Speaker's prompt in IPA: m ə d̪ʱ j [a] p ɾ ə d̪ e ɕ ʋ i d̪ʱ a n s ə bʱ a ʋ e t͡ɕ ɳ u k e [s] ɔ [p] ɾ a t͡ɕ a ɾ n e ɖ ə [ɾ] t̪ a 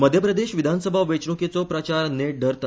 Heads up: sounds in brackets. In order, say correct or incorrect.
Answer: incorrect: ə, incorrect: t͡s, correct, correct

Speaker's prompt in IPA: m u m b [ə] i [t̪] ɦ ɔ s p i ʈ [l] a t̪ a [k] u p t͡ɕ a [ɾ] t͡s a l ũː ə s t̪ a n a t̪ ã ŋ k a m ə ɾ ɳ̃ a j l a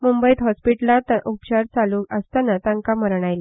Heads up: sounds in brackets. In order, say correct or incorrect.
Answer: correct, correct, correct, incorrect: ʔ, correct

